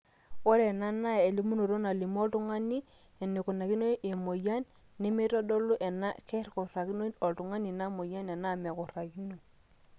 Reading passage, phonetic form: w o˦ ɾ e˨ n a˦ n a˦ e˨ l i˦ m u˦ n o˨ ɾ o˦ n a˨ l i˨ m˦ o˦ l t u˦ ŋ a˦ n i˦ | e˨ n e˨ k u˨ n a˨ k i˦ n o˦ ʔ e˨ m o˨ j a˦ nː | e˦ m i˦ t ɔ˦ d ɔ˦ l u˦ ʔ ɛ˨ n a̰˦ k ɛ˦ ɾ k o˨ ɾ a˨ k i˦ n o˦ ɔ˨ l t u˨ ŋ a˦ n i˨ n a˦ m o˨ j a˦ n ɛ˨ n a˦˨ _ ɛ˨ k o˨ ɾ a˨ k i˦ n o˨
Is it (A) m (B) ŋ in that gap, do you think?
A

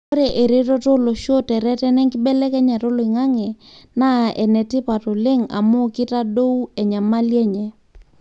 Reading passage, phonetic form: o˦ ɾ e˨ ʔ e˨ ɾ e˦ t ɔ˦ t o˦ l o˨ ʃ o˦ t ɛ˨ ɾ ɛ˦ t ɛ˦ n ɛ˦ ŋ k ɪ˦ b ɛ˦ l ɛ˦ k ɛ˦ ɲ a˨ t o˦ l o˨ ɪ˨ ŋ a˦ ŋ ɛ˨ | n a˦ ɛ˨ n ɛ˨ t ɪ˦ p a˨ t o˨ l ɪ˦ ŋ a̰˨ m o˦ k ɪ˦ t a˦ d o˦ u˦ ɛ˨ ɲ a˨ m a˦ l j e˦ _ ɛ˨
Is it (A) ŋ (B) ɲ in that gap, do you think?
B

